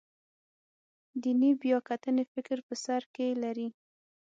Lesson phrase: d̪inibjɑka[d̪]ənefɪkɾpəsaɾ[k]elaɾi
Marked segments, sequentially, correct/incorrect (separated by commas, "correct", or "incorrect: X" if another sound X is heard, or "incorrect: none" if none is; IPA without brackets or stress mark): incorrect: t̪, correct